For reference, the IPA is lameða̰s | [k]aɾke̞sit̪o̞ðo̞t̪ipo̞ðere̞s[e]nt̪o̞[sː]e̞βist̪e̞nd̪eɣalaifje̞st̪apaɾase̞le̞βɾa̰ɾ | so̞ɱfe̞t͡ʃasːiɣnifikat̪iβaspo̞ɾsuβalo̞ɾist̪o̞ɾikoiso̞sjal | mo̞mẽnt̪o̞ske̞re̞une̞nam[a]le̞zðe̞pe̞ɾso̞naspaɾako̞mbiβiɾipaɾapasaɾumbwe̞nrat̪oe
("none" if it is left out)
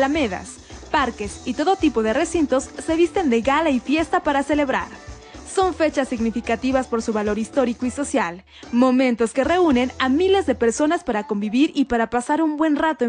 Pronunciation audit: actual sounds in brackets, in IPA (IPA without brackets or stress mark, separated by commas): p, i, sː, i